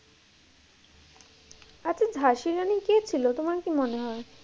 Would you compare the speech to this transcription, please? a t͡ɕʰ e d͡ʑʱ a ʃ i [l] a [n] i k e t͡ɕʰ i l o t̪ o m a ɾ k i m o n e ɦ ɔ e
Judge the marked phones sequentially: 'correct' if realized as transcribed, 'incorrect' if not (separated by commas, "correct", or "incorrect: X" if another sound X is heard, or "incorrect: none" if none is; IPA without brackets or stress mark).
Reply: incorrect: ɾ, correct